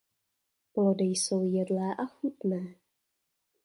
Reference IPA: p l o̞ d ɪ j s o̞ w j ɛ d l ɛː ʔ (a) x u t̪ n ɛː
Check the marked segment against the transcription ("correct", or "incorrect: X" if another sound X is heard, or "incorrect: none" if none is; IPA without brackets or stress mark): correct